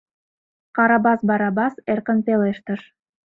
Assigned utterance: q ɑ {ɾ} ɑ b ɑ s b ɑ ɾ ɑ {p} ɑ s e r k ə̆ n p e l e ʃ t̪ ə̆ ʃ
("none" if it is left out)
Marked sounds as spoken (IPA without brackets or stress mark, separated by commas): ɾ, b